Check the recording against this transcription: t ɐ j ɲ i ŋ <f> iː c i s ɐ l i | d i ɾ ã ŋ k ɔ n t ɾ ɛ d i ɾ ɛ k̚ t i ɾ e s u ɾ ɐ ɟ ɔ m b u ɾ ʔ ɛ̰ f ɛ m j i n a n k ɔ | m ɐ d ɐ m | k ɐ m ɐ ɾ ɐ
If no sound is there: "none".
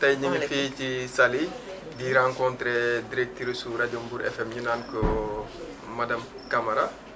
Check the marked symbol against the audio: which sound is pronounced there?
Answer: f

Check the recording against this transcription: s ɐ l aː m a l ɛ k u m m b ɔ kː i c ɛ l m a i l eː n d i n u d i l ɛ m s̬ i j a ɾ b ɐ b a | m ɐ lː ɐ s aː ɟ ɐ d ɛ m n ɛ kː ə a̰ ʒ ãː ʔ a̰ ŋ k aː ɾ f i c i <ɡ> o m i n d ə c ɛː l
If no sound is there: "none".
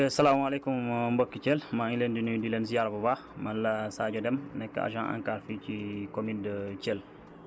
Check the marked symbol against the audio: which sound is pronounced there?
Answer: k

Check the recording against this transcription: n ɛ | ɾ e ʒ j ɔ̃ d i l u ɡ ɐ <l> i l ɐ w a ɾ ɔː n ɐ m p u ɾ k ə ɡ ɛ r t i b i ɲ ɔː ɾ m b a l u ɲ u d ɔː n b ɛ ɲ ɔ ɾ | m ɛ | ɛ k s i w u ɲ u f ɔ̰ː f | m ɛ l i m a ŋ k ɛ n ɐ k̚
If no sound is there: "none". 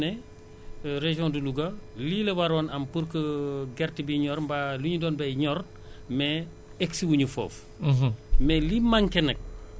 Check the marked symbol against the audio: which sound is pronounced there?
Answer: l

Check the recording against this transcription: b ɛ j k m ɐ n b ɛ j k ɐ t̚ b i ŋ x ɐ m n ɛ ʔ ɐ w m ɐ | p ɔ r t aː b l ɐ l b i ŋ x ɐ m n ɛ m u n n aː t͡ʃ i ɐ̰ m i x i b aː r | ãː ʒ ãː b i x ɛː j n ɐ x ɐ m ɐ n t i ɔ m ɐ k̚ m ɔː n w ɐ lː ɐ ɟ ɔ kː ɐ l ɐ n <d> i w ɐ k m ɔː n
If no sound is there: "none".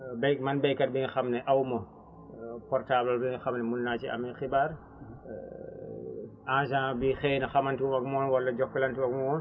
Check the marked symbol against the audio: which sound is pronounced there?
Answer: t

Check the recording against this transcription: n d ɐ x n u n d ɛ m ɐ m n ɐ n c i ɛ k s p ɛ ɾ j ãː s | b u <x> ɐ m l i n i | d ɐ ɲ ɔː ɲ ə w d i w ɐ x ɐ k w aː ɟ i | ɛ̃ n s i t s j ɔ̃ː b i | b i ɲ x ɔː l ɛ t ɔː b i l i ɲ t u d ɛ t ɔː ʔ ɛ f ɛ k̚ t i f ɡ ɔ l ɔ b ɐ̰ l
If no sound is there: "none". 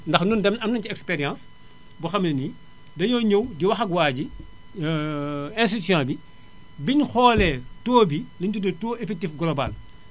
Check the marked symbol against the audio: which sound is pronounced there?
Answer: x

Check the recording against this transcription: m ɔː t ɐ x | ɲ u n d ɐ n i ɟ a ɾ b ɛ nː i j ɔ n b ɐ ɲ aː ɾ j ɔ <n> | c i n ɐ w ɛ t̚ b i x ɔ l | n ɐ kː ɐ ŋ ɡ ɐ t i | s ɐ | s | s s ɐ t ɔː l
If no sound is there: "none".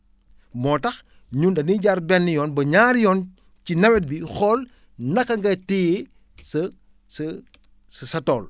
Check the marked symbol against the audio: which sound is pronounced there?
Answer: n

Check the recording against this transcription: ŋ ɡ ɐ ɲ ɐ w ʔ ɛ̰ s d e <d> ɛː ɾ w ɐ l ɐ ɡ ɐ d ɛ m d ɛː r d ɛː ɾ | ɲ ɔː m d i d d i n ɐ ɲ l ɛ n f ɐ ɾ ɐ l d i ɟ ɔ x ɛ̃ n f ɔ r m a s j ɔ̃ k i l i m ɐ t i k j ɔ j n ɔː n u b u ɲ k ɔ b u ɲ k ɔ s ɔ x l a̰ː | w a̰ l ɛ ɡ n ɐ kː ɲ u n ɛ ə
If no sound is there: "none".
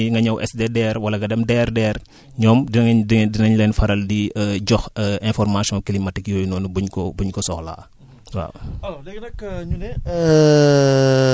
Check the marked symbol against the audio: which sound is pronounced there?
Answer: d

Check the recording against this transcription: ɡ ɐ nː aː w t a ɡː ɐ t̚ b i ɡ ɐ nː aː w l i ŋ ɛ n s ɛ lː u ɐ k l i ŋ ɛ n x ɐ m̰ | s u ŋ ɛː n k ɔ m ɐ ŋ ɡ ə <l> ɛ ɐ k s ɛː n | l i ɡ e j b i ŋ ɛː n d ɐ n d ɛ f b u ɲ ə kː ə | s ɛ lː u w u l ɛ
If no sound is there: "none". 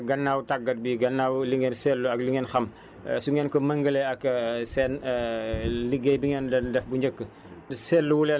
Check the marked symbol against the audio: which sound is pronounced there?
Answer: l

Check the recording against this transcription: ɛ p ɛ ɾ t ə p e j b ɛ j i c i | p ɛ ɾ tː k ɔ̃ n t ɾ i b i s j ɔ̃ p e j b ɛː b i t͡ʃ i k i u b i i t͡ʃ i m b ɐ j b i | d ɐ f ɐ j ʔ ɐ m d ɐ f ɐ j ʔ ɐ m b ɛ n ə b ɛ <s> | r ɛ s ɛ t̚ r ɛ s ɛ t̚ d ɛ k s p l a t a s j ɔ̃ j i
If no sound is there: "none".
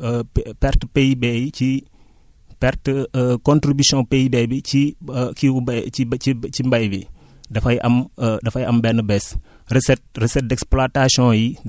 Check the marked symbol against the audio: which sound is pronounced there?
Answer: s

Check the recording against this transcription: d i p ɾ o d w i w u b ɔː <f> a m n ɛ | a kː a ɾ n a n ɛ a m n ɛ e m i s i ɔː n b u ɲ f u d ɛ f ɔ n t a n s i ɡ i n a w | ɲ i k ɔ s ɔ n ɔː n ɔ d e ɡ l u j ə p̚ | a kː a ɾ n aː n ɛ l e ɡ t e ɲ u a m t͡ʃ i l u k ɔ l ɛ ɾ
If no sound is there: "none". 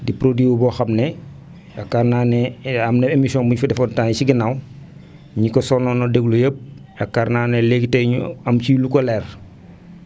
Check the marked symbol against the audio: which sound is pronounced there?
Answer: x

